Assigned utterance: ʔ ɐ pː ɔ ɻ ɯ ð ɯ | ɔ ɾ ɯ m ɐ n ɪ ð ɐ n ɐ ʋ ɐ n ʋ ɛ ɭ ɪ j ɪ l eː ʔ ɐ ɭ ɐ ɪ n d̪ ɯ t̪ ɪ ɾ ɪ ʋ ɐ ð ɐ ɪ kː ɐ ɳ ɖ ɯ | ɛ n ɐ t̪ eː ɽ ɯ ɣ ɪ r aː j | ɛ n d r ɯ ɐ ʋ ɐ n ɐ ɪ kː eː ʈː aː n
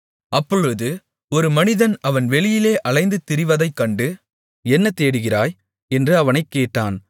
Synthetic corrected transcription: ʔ ɐ pː ɔ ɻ ɯ ð ɯ | ɔ ɾ ɯ m ɐ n ɪ ð ɐ n ɐ ʋ ɐ n ʋ ɛ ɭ ɪ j ɪ l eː ʔ ɐ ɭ ɐ ɪ n d̪ ɯ t̪ ɪ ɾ ɪ ʋ ɐ ð ɐ ɪ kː ɐ ɳ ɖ ɯ | ɛ nː ɐ t̪ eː ɽ ɯ ɣ ɪ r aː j | ɛ n d r ɯ ɐ ʋ ɐ n ɐ ɪ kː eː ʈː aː n